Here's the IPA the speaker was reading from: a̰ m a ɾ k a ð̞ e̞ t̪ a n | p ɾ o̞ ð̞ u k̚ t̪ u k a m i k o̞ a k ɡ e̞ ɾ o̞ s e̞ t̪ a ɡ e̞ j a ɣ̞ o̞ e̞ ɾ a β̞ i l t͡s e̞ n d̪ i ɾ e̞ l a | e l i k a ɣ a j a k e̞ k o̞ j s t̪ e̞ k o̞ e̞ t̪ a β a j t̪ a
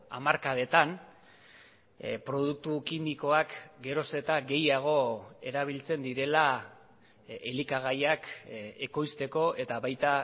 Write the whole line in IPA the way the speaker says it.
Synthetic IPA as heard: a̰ m a ɾ k a ð̞ e̞ t̪ a n | p ɾ o̞ ð̞ u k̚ t̪ u k i m i k o̞ a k ɡ e̞ ɾ o̞ s e̞ t̪ a ɡ e̞ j a ɣ̞ o̞ e̞ ɾ a β̞ i l t͡s e̞ n d̪ i ɾ e̞ l a | e l i k a ɣ a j a k e̞ k o̞ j s t̪ e̞ k o̞ e̞ t̪ a β a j t̪ a